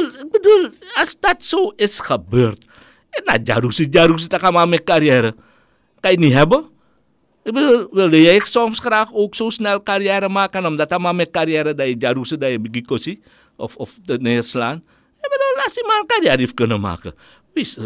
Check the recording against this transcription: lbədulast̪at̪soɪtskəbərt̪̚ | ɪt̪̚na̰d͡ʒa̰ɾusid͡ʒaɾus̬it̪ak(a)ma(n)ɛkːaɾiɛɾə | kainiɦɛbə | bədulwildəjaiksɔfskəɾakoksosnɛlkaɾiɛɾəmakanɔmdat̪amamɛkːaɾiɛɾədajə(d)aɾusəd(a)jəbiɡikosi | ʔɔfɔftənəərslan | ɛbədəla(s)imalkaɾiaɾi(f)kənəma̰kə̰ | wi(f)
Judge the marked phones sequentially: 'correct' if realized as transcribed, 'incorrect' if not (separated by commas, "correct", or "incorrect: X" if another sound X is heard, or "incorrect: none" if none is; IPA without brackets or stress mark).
correct, incorrect: m, incorrect: d͡ʒ, correct, correct, correct, incorrect: s